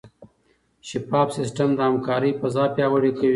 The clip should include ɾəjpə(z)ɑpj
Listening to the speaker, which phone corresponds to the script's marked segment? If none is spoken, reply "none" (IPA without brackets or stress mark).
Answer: z